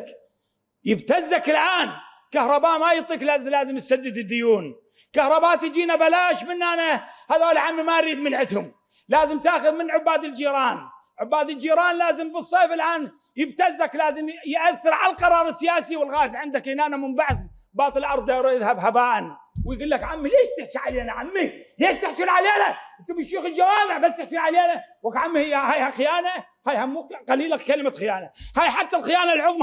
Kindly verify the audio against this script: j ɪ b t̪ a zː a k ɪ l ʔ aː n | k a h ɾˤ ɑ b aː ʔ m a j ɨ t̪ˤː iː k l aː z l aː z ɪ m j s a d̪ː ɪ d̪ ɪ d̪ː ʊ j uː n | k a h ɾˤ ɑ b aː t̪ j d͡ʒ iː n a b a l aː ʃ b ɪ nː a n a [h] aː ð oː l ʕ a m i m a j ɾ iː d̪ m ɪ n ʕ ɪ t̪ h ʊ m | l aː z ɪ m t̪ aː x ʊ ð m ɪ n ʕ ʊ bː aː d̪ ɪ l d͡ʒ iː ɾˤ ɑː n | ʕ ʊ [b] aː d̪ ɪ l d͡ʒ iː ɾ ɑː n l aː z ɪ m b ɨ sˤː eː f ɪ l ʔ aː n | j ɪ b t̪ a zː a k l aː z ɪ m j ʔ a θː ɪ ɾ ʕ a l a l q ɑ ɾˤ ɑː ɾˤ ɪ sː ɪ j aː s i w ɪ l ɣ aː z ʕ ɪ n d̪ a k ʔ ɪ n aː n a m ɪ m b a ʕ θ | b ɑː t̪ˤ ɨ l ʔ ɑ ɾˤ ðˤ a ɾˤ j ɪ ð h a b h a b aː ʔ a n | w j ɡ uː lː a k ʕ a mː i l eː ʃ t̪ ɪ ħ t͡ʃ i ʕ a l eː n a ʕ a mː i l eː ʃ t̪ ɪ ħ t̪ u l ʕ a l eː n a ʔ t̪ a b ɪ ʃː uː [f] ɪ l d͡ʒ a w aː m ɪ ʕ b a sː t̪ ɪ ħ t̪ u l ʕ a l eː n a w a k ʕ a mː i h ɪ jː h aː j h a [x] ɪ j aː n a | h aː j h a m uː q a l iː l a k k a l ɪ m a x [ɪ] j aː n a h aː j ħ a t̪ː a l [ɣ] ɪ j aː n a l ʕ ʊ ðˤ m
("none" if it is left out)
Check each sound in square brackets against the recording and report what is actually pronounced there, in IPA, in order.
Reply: h, bː, x, x, ɪ, x

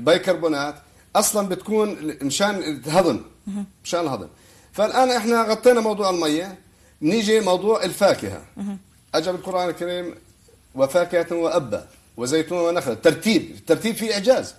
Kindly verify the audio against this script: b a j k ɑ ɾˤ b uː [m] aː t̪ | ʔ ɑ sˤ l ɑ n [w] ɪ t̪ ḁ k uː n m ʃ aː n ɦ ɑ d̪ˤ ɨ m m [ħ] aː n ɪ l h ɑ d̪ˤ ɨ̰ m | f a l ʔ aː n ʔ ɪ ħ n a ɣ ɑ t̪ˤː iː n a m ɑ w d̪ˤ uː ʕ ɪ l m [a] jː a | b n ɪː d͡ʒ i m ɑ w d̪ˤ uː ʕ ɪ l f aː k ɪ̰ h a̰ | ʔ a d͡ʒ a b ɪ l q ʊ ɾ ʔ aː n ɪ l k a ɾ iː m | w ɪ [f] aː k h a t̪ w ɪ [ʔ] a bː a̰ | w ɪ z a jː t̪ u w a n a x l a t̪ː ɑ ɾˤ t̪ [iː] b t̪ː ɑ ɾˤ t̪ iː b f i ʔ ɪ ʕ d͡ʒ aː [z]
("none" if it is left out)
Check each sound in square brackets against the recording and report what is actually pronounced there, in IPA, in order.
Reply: n, b, ʃ, a, f, ʔ, iː, z

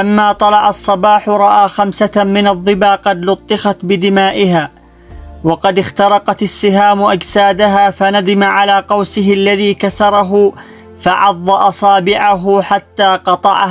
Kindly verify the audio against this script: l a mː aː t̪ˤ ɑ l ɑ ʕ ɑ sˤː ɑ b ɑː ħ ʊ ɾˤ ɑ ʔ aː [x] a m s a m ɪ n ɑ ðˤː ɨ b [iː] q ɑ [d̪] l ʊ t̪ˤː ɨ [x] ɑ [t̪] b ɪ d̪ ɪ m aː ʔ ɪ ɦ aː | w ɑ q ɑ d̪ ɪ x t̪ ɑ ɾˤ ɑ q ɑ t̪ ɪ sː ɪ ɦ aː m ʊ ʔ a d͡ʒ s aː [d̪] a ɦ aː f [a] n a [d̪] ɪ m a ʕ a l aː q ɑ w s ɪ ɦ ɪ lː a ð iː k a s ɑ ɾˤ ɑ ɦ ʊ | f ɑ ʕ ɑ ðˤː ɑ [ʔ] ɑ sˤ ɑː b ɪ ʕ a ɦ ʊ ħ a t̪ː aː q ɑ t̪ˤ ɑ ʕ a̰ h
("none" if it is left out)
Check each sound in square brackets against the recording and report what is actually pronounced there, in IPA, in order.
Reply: x, aː, d̪, x, t̪, d̪, a, d̪, ʔ

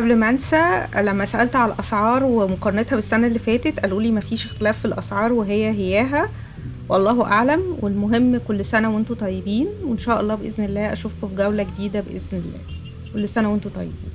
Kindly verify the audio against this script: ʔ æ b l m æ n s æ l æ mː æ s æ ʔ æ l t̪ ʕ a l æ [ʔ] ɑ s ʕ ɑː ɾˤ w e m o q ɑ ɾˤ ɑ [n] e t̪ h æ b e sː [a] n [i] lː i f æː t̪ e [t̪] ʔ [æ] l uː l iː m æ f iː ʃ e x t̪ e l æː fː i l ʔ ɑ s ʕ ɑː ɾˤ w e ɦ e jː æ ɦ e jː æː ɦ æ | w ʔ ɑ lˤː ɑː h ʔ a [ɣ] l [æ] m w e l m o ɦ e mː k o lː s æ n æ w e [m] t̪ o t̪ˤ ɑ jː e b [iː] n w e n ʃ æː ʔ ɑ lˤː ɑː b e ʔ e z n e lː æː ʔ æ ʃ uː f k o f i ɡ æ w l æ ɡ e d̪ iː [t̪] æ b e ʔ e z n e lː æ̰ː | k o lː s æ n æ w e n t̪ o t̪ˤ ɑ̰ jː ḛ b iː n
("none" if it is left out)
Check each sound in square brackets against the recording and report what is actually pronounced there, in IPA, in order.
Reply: ʔ, n, æ, æ, t̪, æ, ʕ, æ, n, iː, d̪

